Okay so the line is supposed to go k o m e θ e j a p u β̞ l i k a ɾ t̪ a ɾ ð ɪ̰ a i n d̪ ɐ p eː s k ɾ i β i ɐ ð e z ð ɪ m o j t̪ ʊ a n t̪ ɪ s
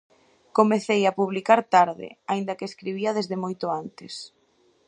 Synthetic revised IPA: k o m e θ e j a p u β̞ l i k a ɾ t̪ a ɾ ð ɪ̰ a i n d̪ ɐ k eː s k ɾ i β i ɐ ð e z ð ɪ m o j t̪ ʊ a n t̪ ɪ s